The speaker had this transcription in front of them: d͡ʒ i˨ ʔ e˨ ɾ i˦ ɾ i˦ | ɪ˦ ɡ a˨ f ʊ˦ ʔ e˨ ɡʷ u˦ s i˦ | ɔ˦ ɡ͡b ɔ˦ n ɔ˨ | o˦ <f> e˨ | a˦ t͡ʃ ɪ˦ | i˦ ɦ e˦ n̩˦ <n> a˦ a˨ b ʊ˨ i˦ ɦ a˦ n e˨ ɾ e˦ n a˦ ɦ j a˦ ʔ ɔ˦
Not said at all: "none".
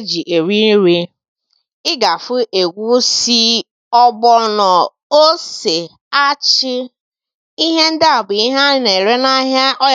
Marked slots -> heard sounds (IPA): s, d

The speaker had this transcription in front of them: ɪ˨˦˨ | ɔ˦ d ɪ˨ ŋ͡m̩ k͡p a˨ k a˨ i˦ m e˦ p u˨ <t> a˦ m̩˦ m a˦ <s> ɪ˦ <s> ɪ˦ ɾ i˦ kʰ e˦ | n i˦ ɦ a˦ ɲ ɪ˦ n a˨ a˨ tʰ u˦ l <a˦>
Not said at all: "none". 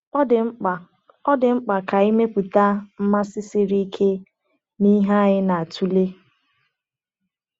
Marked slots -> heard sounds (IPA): t, s, s, e˦

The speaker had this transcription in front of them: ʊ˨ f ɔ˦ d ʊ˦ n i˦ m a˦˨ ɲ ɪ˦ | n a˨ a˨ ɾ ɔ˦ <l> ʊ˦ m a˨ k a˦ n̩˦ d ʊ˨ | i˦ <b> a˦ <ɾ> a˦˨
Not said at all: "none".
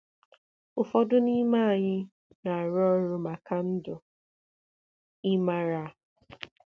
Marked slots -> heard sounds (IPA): ɾ, m, ɾ

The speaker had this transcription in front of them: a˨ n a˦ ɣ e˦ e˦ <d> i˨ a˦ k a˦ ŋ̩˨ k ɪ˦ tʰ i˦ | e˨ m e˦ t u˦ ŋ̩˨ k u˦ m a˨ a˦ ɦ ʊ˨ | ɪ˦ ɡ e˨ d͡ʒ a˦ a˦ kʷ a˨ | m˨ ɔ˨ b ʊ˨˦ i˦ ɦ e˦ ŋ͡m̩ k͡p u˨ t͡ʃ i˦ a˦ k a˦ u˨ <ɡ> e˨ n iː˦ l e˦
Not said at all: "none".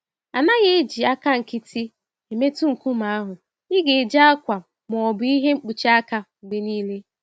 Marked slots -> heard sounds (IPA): d͡ʒ, ɡ͡b

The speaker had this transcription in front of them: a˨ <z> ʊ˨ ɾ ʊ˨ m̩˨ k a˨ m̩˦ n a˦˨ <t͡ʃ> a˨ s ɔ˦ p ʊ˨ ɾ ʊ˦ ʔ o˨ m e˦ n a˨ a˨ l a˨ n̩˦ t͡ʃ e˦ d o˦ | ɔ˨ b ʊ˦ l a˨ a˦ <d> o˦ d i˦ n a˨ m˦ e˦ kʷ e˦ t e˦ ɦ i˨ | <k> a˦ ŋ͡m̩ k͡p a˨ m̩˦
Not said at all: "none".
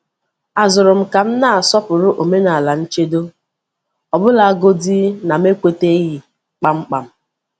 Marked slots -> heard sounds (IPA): z, none, ɡ, k͡p

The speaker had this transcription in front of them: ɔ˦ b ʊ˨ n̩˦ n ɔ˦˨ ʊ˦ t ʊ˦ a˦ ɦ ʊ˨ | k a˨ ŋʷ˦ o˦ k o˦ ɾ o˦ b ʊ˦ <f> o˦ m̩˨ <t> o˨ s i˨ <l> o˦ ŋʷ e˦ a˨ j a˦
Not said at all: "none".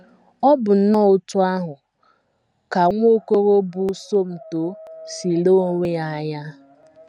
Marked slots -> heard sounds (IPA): s, t, l

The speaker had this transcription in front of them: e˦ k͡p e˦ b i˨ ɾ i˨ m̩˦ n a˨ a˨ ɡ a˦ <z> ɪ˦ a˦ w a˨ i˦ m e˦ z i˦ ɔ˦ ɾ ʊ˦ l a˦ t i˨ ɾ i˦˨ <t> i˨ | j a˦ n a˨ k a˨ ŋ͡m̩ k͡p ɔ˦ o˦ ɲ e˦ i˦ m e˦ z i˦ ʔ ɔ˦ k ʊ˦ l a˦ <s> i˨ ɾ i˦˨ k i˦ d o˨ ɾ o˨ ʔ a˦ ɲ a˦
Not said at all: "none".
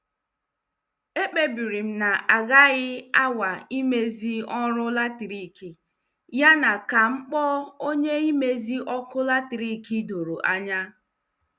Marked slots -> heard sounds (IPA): ɣ, k, t

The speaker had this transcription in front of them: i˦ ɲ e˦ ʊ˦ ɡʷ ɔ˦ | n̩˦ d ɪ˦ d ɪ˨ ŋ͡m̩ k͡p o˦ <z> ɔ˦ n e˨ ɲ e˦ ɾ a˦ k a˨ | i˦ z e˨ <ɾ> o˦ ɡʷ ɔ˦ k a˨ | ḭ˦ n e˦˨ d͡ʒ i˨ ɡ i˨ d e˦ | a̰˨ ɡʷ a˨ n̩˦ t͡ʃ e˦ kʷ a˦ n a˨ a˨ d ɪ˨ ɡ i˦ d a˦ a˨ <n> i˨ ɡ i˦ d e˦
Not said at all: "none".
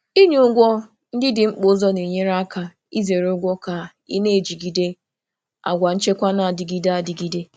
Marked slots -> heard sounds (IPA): z, ɾ, d

